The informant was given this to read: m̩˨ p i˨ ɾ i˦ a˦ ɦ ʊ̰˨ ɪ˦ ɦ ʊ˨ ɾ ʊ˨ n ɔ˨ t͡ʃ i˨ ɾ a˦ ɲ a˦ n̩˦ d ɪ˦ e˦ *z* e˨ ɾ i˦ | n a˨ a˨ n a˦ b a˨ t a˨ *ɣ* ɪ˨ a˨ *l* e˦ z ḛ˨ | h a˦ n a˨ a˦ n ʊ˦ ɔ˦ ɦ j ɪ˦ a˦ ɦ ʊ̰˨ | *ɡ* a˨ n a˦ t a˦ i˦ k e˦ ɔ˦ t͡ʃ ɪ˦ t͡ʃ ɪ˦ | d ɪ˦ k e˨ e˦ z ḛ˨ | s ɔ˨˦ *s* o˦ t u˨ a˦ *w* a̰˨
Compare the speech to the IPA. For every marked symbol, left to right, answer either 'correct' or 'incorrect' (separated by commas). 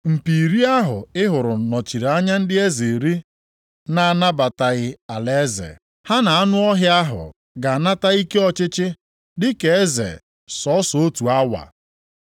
correct, correct, correct, correct, correct, correct